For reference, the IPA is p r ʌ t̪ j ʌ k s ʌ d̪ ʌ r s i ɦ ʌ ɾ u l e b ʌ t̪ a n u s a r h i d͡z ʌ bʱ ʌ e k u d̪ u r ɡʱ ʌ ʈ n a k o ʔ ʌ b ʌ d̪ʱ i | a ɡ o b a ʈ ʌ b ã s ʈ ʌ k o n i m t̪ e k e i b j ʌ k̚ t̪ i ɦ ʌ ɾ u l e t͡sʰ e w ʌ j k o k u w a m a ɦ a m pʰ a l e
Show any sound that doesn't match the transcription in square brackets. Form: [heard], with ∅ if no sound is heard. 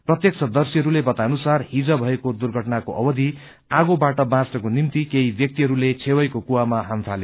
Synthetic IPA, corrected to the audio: p r ʌ t̪ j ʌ k s ʌ d̪ ʌ r s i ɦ ʌ ɾ u l e b ʌ t̪ a n u s a r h i d͡z ʌ bʱ ʌ e k [o] d̪ u r ɡʱ ʌ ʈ n a k o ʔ ʌ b ʌ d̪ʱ i | a ɡ o b a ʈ ʌ b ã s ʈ ʌ k o n i m t̪ [i] k e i b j ʌ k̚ t̪ i ɦ ʌ ɾ u l e t͡sʰ e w ʌ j k o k u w a m a ɦ a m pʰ a l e